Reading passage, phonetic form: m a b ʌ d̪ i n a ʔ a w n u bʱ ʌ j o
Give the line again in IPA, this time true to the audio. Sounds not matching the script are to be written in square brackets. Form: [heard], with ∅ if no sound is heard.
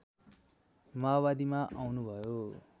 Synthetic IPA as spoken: m a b [a] d̪ i [m] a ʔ a w n u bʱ ʌ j o